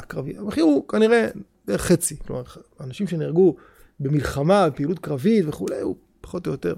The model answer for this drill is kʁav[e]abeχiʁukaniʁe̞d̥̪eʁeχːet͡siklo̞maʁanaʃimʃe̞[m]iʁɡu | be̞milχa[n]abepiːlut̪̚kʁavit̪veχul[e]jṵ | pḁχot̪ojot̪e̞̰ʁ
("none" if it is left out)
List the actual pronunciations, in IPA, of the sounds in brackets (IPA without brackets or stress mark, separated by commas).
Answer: i, n, m, e